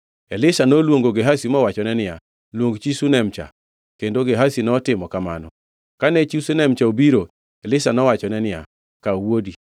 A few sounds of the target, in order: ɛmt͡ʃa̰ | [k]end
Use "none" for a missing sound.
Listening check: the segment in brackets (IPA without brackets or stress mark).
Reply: k